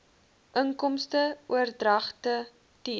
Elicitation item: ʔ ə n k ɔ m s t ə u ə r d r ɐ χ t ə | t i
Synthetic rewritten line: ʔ ə ŋ k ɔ m s t ə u ə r d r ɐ χ t ə | t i